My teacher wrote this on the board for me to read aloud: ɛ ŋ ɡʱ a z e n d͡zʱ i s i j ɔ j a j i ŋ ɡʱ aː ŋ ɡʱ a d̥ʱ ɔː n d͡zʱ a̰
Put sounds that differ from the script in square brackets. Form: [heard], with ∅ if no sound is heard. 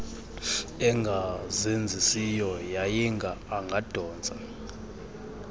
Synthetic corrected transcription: ɛ ŋ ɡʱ a z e n d͡zʱ i s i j ɔ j a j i ŋ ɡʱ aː ŋ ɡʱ a d̥ʱ ɔː n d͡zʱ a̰

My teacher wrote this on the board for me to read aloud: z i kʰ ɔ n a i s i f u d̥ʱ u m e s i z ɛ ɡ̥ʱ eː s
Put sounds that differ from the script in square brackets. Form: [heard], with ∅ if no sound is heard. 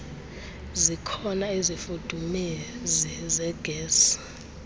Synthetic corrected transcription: z i kʰ ɔ n a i [z] i f u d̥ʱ u m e [z] i z ɛ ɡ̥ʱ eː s

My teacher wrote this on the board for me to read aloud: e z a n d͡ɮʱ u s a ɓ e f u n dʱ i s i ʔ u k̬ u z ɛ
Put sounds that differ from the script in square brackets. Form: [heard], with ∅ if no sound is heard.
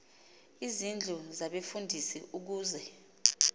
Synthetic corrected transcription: [i] z [i] n d͡ɮʱ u [z] a ɓ e f u n dʱ i s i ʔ u k̬ [uː] z ɛ

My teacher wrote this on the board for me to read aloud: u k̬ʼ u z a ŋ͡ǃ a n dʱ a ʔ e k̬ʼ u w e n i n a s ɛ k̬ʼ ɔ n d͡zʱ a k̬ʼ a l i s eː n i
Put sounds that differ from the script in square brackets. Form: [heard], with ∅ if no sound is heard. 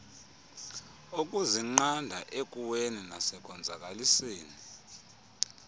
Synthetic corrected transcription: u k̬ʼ u z [i] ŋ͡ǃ a n dʱ a ʔ e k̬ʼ u w e n i n a s ɛ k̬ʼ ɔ n d͡zʱ a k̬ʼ a l i s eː n i

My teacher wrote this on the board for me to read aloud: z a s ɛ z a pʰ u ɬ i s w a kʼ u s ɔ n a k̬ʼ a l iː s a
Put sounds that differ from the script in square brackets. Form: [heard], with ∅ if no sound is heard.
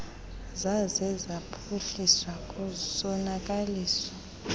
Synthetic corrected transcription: z a [z] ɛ z a pʰ u ɬ i s w a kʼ u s ɔ n a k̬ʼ a l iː s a

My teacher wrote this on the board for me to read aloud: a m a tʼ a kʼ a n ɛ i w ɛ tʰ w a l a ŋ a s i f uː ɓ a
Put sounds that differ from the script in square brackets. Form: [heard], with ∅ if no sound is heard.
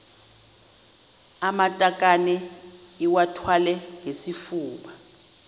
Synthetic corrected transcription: a m a tʼ a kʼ a n ɛ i w [a] tʰ w a l [ɛ] ŋ [e] s i f uː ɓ a

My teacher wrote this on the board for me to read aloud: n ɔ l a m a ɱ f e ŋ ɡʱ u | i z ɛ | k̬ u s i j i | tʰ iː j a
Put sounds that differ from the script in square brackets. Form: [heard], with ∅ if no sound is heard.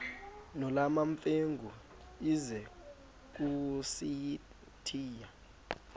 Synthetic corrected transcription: n ɔ l a m a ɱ f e ŋ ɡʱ u | i z ɛ | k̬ u s i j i | tʰ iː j a

